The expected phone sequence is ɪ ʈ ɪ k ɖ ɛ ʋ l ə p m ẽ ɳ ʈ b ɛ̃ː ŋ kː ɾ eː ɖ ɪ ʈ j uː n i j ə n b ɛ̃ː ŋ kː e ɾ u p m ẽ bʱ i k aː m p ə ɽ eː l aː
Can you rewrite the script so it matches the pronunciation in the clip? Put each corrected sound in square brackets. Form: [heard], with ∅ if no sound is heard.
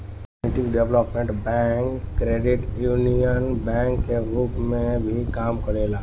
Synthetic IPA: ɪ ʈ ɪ k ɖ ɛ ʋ l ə p m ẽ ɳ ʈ b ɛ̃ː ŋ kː ɾ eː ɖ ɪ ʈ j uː n i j ə n b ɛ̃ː ŋ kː e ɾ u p m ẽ bʱ i k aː m [k] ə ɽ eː l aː